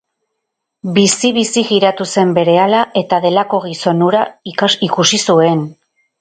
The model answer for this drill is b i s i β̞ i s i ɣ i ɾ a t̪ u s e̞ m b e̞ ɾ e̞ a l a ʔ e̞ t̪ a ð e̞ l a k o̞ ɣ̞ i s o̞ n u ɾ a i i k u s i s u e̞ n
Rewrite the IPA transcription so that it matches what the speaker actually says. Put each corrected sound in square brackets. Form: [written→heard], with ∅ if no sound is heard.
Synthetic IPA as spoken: b i s i β̞ i s i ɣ i ɾ a t̪ u s e̞ m b e̞ ɾ e̞ a l a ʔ e̞ t̪ a ð e̞ l a k o̞ ɣ̞ i s o̞ n u ɾ a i i k u s i s u e̞ n